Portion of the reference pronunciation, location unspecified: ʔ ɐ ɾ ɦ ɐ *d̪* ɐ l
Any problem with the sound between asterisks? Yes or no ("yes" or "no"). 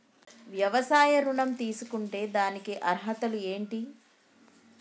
yes